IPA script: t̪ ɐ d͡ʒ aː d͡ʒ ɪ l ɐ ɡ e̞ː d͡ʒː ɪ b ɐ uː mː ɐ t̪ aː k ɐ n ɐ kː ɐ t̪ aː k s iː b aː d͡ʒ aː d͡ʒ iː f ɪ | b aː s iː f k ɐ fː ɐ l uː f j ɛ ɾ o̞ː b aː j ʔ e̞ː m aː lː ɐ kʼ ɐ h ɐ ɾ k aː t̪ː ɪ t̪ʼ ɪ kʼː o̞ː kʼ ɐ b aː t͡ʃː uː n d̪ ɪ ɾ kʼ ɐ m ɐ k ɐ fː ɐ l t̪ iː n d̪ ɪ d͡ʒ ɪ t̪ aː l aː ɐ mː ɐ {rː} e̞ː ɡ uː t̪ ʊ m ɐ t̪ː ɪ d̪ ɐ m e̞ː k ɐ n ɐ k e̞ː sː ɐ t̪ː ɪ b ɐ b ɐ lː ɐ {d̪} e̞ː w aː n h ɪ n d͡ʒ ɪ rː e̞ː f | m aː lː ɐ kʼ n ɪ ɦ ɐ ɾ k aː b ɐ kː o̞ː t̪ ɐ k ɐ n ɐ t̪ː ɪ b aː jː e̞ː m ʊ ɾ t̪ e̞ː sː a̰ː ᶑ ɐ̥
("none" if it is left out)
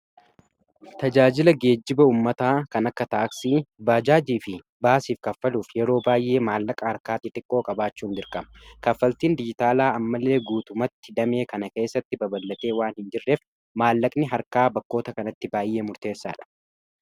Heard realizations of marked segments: lː, t̪

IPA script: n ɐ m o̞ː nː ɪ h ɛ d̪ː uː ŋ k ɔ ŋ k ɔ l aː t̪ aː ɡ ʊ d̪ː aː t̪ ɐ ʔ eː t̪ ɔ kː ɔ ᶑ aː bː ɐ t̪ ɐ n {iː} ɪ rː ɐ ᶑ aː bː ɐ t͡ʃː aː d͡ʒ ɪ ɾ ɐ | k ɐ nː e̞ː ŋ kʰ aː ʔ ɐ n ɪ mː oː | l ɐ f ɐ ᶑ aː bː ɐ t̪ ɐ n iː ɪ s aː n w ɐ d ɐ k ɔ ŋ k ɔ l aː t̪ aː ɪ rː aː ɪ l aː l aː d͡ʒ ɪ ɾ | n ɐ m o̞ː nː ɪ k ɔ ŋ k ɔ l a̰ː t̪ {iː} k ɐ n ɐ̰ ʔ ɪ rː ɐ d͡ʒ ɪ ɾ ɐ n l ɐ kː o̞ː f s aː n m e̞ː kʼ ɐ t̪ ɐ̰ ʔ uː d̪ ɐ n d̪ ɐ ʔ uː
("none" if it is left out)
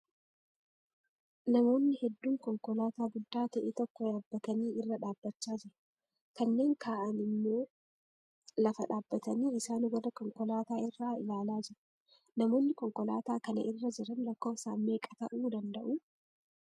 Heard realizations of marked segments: iː, aː

